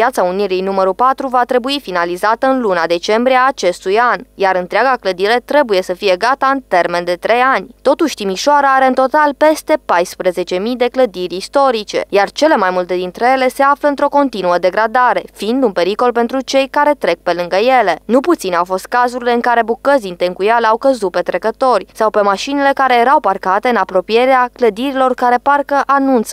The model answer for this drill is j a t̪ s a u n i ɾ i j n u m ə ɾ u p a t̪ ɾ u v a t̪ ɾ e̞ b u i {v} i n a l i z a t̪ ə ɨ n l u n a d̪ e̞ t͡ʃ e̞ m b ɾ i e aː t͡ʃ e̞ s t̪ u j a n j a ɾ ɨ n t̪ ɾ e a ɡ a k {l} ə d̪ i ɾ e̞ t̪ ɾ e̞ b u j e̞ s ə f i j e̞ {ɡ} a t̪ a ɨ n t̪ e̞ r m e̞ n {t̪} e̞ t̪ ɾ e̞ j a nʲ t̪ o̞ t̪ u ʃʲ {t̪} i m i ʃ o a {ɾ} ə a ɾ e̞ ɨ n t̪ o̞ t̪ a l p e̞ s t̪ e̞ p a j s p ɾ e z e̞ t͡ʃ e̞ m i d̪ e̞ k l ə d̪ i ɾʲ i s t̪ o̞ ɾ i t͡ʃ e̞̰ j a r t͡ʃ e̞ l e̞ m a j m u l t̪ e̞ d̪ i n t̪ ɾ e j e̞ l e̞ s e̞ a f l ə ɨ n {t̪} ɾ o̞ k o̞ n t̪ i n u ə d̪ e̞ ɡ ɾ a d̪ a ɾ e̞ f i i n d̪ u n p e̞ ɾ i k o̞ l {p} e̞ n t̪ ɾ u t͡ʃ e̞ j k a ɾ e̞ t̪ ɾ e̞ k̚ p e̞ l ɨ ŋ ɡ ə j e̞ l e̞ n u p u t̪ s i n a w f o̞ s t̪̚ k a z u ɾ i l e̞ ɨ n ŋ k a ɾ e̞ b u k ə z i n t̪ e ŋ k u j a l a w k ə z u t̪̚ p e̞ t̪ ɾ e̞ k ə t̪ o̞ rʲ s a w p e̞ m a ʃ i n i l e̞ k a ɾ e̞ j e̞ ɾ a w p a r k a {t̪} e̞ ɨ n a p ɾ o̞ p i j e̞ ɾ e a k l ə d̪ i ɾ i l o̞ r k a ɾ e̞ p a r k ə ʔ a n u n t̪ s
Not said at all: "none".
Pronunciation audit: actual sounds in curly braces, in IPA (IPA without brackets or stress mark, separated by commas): f, l, ɡ, d̪, t̪, ɾ, t̪, p, t̪